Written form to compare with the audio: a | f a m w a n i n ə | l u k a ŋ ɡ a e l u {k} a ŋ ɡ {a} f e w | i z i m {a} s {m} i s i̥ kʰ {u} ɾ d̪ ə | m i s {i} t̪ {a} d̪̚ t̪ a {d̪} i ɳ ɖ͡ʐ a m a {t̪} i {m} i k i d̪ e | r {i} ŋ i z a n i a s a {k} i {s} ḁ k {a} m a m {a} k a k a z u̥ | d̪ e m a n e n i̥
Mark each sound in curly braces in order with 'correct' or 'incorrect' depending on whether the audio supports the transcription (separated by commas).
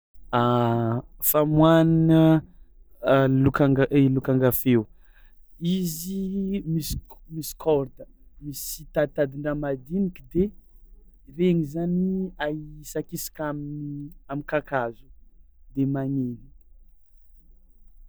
correct, correct, incorrect, correct, incorrect, correct, correct, correct, incorrect, incorrect, incorrect, correct, correct, correct, incorrect